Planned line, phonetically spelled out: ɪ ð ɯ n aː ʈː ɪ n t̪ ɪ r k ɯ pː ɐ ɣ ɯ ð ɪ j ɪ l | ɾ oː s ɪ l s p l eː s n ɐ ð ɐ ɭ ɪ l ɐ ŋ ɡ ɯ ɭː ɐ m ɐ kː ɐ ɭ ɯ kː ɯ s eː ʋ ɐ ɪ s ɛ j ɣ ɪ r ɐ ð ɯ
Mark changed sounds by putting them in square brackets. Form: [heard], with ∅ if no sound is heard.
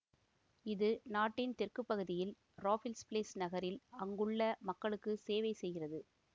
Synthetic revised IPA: ɪ ð ɯ n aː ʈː ɪ n t̪ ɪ r k ɯ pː ɐ ɣ ɯ ð ɪ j ɪ l | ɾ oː [f] ɪ l s p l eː s n ɐ [ɣ] ɐ [ɾ] ɪ l ɐ ŋ ɡ ɯ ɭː ɐ m ɐ kː ɐ ɭ ɯ kː ɯ s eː ʋ ɐ ɪ s ɛ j ɣ ɪ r ɐ ð ɯ